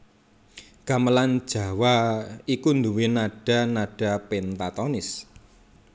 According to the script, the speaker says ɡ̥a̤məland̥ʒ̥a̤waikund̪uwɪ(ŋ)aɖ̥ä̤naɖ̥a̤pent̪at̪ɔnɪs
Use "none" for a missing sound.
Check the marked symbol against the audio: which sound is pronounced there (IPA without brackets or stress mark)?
n